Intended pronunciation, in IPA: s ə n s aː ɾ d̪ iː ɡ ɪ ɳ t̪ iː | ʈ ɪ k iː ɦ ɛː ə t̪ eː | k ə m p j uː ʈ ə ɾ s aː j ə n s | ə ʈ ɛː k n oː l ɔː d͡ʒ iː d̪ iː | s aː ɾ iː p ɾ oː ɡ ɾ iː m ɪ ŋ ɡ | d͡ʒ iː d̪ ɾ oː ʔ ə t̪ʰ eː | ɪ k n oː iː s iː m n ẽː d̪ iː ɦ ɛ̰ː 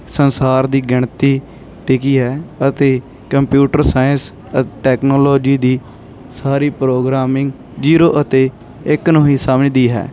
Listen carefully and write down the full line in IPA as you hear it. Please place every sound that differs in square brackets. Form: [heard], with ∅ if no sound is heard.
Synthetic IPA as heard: s ə n s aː ɾ d̪ iː ɡ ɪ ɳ t̪ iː | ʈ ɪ k iː ɦ ɛː ə t̪ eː | k ə m p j uː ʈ ə ɾ s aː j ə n s | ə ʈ ɛː k n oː l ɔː d͡ʒ iː d̪ iː | s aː ɾ iː p ɾ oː ɡ ɾ [aː] m ɪ ŋ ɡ | d͡ʒ iː [∅] ɾ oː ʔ ə [t̪] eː | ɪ k n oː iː s [aː] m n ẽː d̪ iː ɦ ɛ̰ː